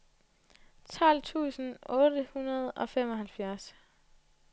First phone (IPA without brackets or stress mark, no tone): t͡sʰ